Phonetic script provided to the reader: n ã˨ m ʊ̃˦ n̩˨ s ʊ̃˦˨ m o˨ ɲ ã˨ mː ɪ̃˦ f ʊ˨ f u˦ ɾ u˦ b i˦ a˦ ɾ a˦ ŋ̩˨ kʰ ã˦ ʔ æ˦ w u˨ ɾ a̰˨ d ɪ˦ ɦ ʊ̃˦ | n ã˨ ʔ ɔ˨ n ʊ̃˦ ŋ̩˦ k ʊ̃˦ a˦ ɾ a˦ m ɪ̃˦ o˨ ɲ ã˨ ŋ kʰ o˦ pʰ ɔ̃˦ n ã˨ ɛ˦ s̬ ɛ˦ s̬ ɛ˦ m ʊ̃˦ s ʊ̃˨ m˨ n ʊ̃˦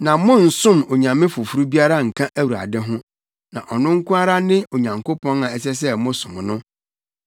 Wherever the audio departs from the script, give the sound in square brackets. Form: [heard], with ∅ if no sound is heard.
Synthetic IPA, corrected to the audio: n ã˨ m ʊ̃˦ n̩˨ s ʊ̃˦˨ m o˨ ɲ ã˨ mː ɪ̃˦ f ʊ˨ f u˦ ɾ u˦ b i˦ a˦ ɾ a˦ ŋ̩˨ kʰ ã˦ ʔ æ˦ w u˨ ɾ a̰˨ d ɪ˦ ɦ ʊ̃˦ | n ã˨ ʔ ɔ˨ n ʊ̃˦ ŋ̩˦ k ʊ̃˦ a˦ ɾ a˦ [n] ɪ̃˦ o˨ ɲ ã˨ ŋ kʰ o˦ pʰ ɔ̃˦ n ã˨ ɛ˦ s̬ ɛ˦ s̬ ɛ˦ m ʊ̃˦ s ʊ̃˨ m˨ n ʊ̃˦